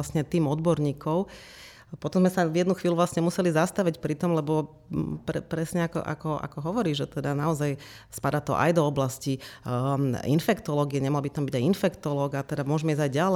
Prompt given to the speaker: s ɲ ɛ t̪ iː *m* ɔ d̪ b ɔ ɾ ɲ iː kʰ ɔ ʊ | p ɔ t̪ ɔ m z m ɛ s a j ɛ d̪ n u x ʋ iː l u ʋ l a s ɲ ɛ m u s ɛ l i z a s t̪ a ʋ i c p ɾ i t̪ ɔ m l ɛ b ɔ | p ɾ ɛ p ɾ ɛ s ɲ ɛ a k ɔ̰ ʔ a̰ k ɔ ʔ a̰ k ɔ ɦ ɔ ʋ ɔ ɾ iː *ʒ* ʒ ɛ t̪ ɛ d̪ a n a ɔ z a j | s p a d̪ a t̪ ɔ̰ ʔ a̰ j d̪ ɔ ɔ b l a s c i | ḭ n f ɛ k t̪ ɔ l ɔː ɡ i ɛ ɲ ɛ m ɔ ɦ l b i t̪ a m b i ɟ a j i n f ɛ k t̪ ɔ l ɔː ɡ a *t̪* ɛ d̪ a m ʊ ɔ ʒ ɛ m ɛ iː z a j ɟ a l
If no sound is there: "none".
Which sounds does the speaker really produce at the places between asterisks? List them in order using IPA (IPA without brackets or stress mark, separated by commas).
m, ʒ, t̪